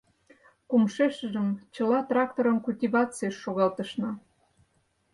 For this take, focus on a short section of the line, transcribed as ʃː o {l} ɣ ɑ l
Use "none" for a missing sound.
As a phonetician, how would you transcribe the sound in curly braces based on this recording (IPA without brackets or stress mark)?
none